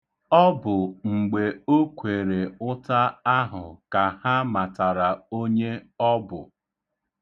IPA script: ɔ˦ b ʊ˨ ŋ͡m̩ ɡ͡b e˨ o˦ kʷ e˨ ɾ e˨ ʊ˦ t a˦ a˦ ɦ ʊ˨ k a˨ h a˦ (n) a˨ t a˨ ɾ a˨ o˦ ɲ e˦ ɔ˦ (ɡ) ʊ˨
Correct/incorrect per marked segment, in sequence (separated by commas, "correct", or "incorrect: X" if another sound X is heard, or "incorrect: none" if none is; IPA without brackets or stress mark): incorrect: m, incorrect: b